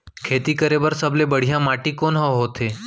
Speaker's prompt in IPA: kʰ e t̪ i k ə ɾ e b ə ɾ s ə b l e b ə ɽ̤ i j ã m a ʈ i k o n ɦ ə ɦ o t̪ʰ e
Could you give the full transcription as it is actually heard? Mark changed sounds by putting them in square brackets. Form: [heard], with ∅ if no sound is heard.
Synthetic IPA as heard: kʰ e t̪ i k ə ɾ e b ə ɾ s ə b l e b ə ɽ̤ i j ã m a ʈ i k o n ɦ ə ɦ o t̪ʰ e